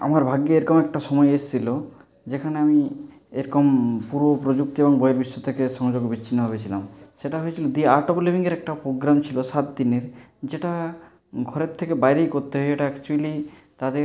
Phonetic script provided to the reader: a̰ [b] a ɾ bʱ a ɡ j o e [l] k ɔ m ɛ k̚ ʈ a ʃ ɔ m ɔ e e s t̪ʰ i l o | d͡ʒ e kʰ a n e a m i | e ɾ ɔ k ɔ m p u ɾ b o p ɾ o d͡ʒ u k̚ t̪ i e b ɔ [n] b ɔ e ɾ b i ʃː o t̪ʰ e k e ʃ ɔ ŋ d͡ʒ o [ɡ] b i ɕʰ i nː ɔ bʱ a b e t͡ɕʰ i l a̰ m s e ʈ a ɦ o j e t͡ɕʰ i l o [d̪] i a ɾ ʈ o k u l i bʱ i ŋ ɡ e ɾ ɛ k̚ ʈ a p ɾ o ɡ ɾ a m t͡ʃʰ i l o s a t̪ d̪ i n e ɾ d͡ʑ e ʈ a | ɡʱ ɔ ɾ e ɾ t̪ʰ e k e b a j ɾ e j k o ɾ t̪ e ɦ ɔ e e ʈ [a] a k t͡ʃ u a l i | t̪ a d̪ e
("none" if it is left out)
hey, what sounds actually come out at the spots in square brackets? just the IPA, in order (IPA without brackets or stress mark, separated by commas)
m, ɾ, ŋ, ɡ, d̪, a